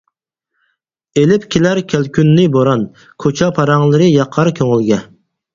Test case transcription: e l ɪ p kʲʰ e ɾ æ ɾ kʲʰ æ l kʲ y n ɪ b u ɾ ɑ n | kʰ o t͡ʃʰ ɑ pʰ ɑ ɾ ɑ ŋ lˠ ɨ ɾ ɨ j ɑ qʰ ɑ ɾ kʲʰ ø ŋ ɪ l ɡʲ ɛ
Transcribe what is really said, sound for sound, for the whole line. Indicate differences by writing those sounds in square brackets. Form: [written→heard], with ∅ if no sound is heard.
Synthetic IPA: e l ɪ p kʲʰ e [ɾ→l] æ ɾ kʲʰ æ l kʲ y [n→nː] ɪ b [u→o] ɾ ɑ n | kʰ o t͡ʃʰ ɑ pʰ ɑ ɾ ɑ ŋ lˠ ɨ ɾ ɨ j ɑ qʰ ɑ ɾ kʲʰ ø ŋ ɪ l ɡʲ ɛ